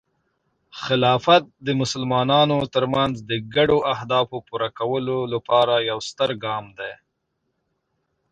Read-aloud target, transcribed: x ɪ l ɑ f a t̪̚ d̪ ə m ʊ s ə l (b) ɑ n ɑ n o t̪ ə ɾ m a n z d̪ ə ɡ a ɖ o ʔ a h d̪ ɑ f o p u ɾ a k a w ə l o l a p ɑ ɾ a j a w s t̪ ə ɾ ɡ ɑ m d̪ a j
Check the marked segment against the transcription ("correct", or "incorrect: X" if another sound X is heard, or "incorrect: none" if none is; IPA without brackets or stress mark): incorrect: m